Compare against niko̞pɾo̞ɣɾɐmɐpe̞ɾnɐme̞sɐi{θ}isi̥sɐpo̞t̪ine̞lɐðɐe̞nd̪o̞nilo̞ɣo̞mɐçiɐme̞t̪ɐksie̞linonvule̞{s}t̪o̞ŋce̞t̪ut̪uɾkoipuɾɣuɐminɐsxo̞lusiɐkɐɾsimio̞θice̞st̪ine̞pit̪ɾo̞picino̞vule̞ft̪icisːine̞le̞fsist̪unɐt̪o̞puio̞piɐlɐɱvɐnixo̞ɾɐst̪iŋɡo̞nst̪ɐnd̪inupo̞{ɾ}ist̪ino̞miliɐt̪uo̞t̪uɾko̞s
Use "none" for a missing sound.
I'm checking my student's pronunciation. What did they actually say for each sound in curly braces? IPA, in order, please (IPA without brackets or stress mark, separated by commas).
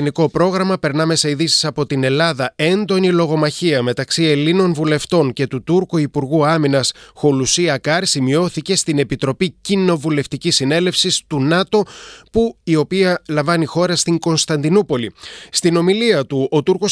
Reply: ð, f, l